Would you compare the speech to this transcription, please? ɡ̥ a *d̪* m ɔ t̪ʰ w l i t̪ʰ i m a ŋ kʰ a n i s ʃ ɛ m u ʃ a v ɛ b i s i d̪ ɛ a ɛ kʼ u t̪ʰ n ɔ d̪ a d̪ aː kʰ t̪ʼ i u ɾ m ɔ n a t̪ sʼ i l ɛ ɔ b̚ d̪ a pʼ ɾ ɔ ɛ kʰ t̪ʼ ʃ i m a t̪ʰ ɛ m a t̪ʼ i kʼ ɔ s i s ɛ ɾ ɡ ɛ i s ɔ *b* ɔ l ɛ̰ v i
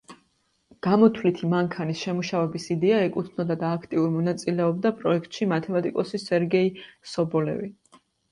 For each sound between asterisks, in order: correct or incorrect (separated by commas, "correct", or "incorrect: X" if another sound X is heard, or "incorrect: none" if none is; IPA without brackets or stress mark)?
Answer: incorrect: none, correct